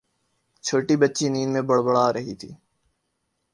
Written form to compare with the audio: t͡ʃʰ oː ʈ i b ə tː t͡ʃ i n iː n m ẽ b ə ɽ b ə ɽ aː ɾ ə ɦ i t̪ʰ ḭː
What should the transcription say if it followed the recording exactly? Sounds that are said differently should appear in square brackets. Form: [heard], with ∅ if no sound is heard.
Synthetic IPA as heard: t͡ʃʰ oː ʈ i b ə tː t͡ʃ i n iː n m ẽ b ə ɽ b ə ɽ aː ɾ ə ɦ i t̪ʰ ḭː